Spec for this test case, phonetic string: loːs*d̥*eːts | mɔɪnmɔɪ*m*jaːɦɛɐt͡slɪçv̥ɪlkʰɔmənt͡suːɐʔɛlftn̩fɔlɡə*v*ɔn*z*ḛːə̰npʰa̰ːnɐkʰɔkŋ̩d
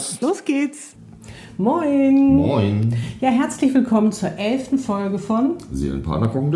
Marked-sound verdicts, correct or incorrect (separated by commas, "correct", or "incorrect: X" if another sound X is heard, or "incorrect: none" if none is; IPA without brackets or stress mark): incorrect: ɡ̥, incorrect: n, incorrect: f, correct